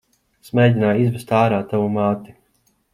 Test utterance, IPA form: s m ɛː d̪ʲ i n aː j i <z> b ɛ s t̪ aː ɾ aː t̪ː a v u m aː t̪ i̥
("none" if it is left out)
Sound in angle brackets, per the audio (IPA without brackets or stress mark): z